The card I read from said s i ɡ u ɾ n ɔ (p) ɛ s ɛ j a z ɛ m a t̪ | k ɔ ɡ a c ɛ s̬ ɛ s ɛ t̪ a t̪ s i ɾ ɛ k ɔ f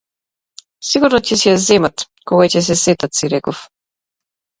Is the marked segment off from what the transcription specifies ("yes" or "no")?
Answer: yes